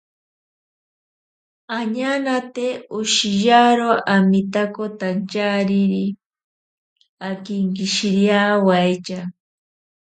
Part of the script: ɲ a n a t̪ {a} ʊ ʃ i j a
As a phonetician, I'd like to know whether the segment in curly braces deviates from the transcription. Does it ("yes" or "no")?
yes